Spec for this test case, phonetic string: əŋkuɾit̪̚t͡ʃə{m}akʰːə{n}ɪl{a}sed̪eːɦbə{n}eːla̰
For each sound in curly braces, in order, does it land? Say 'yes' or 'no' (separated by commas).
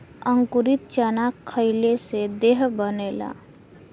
no, no, no, yes